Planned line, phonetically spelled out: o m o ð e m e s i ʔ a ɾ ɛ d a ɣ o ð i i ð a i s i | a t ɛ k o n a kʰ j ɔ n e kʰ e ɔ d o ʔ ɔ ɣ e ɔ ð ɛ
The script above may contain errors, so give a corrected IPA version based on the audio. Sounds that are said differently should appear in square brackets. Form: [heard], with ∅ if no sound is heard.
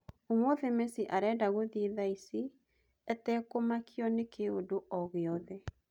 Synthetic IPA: o m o ð e m e s i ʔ a ɾ ɛ d a ɣ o ð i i ð a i s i | [ɛ] t ɛ k o [m] a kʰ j ɔ n e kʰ e [o] d o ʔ ɔ ɣ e ɔ ð ɛ